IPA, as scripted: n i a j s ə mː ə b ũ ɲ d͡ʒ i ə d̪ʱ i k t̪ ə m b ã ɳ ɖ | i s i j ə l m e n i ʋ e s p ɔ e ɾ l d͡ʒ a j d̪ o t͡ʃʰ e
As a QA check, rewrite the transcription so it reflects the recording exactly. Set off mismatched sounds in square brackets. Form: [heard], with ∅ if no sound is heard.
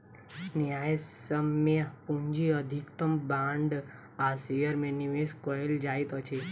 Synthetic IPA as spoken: n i a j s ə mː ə [p] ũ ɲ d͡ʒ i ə d̪ʱ i k t̪ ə m b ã ɳ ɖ | [a] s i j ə [ɾ] m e n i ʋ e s [k] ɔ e [∅] l d͡ʒ a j [t̪] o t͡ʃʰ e